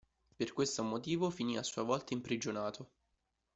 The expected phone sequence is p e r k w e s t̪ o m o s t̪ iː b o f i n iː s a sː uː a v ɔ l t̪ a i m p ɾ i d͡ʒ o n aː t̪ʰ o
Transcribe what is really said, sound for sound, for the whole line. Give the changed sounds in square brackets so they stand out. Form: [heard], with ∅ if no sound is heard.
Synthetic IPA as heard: p e r k w e s t̪ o m o [∅] t̪ iː [v] o f i n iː [∅] a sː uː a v ɔ l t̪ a i m p ɾ i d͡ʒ o n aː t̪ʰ o

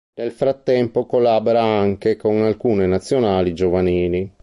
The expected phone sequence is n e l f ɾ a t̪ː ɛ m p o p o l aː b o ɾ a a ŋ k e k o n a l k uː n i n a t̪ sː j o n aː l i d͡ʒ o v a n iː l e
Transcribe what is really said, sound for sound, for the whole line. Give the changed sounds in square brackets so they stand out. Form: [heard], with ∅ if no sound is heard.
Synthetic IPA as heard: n e l f ɾ a t̪ː ɛ m p o [k] o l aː b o ɾ a a ŋ k e k o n a l k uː n [e] n a t̪ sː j o n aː l i d͡ʒ o v a n iː l [i]

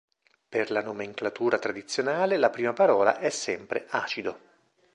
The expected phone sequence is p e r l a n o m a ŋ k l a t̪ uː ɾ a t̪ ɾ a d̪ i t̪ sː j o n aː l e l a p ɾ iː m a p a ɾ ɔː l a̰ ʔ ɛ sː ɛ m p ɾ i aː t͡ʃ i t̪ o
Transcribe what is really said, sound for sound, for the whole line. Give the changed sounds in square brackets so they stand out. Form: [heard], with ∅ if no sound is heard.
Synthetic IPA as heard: p e r l a n o m [e] ŋ k l a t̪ uː ɾ a t̪ ɾ a d̪ i t̪ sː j o n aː l e l a p ɾ iː m a p a ɾ ɔː l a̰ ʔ ɛ sː ɛ m p ɾ [e] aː t͡ʃ i [d̪] o

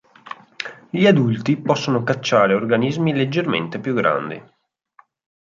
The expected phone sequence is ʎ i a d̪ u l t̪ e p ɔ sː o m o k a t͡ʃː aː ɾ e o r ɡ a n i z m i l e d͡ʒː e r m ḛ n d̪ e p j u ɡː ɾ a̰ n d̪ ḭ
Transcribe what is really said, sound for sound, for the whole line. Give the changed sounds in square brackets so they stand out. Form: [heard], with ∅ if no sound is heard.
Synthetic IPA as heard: ʎ i a d̪ u l t̪ [i] p ɔ sː o [n] o k a t͡ʃː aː ɾ e o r ɡ a n i z m i l e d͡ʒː e r m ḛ n [t̪] e p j u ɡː ɾ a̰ n d̪ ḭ

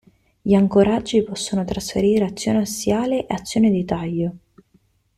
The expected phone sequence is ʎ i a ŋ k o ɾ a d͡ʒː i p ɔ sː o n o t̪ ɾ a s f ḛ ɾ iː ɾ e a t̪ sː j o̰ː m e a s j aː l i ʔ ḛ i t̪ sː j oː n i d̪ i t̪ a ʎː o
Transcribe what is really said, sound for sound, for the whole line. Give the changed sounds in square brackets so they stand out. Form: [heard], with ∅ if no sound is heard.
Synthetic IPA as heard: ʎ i a ŋ k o ɾ a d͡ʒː i p ɔ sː o n o t̪ ɾ a s f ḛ ɾ iː ɾ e a t̪ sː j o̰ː [n] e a s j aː l [e] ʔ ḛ [a] t̪ sː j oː n [e] d̪ i t̪ a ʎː o

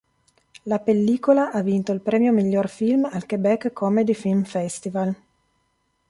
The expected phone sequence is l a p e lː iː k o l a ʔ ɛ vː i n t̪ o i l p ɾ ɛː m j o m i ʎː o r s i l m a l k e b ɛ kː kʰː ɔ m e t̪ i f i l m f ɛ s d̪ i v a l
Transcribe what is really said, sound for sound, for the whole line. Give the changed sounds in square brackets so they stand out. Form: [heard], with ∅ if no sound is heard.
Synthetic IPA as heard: l a p e lː iː k o l a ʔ [a] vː i n t̪ o i l p ɾ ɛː m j o m i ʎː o r [f] i l m a l k e b ɛ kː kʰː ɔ m e [d̪] i f i l m f ɛ s [t̪] i v a l

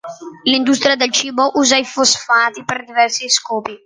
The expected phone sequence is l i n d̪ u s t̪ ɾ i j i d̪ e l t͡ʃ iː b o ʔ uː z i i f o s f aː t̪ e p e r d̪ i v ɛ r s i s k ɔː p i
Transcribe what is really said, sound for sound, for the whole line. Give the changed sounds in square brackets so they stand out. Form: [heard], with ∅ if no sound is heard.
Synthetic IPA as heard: l i n d̪ u s t̪ ɾ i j [a] d̪ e l t͡ʃ iː b o ʔ uː z [a] i f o s f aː t̪ [i] p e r d̪ i v ɛ r s i s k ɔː p i

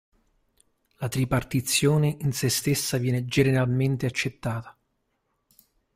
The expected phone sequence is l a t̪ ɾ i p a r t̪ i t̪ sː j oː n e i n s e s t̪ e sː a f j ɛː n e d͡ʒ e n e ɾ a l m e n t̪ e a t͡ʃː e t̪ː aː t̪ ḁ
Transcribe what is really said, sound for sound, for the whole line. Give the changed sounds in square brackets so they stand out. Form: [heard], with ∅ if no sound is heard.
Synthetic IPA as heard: l a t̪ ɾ i p a r t̪ i t̪ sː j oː n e i n s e s t̪ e sː a [v] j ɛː n e d͡ʒ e n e ɾ a l m e n t̪ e a t͡ʃː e t̪ː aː t̪ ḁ

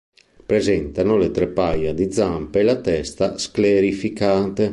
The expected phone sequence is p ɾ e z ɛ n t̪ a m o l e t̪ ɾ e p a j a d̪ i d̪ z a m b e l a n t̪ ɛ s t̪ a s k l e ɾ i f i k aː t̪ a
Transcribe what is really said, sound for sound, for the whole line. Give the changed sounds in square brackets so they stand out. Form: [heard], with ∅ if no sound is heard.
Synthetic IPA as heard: p ɾ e z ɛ n t̪ a [n] o l e t̪ ɾ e p a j a d̪ i d̪ z a m [p] e l a [∅] t̪ ɛ s t̪ a s k l e ɾ i f i k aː t̪ [e]

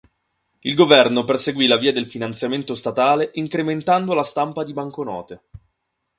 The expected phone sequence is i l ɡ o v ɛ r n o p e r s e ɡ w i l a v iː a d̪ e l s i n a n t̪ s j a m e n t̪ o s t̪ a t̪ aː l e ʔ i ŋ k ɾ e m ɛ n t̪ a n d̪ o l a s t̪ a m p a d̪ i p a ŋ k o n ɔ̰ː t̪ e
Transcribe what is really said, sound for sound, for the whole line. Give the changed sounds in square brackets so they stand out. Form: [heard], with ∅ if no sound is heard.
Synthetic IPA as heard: i l ɡ o v ɛ r n o p e r s e ɡ w i l a v iː a d̪ e l [f] i n a n t̪ s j a m e n t̪ o s t̪ a t̪ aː l e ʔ i ŋ k ɾ e m [e] n t̪ a n d̪ o l a s t̪ a m p a d̪ i [b] a ŋ k o n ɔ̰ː t̪ e

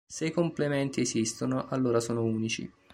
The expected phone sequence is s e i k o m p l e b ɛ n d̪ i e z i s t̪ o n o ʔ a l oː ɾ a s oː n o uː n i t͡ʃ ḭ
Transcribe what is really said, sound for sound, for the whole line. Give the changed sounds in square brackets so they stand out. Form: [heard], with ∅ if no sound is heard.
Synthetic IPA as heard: s e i k o m p l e [m] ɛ n [t̪] i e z i s t̪ o n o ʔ a [lː] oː ɾ a s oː n o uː n i t͡ʃ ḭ

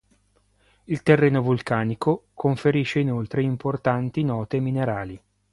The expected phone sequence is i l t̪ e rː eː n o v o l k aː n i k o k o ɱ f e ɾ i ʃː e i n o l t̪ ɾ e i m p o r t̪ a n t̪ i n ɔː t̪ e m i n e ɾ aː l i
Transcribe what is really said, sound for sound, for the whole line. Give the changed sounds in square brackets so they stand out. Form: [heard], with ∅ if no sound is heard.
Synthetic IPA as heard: i l t̪ e rː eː n o v [u] l k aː n i k o k o ɱ f e ɾ i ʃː e i n o l t̪ ɾ e i m p o r t̪ a n t̪ i n ɔː t̪ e m i n e ɾ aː l i

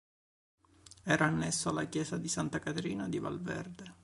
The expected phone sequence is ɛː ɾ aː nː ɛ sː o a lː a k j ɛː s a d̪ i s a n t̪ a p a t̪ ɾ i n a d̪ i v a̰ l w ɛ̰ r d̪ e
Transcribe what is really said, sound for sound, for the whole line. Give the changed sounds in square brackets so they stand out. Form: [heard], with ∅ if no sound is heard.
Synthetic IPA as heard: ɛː ɾ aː nː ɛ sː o a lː a k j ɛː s a d̪ i s a n t̪ a [k] a t̪ ɾ [iː] n a d̪ i v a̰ l [v] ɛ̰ r d̪ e

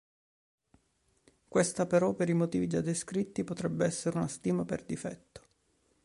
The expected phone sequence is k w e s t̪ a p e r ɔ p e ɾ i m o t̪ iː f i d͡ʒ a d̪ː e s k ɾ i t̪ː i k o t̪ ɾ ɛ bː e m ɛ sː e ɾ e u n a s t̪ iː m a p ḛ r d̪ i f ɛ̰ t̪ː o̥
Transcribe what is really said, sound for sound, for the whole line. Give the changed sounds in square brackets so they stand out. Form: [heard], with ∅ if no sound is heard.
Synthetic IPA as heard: k w e s t̪ a p e [ɾ] ɔ p e ɾ i m o t̪ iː [v] i d͡ʒ a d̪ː e s k ɾ i t̪ː i [p] o t̪ ɾ ɛ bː e [∅] ɛ sː e ɾ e u n a s t̪ iː m a p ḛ r d̪ i f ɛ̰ t̪ː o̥

